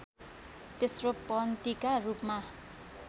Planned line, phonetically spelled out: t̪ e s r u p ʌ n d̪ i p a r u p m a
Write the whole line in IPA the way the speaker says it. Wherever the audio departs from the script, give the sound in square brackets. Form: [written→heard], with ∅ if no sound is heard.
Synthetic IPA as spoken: t̪ e s r [u→o] p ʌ n [d̪→t̪] i [p→k] a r u p m a